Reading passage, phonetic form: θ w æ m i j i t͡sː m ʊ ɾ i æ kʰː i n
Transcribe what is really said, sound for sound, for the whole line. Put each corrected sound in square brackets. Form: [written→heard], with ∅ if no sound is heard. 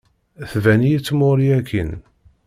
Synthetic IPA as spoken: θ [w→v] æ [m→n] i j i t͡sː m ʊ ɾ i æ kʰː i n